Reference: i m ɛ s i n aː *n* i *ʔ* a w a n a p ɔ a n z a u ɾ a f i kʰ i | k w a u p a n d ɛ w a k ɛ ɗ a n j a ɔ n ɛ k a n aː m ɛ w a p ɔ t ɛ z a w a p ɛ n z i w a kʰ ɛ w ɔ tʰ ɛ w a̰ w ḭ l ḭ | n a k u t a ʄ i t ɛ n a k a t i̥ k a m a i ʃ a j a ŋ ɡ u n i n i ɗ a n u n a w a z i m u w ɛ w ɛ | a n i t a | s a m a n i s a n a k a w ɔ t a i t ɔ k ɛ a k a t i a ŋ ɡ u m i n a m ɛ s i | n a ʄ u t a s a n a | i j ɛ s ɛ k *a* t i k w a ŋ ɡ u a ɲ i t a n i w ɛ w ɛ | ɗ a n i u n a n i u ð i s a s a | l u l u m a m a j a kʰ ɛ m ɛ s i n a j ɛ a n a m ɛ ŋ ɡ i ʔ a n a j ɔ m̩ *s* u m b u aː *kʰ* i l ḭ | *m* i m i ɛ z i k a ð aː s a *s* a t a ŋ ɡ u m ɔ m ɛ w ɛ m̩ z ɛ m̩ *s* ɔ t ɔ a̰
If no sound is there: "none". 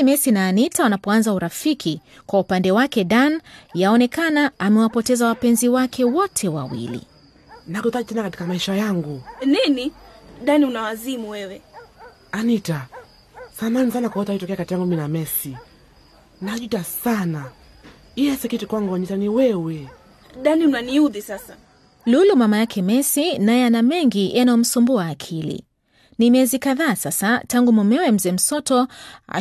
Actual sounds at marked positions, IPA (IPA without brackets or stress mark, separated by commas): n, t, i, s, kʰ, n, s, s